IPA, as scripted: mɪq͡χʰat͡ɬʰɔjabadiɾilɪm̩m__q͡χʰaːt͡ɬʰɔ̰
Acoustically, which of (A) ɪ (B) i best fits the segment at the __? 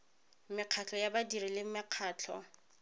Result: A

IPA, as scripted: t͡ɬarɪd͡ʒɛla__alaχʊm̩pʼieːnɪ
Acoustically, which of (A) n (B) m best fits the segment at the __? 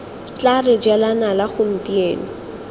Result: A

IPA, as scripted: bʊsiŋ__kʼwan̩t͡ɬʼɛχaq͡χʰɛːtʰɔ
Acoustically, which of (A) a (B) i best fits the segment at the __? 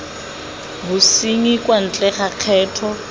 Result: B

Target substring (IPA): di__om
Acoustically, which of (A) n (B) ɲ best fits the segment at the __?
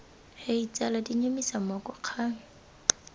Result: B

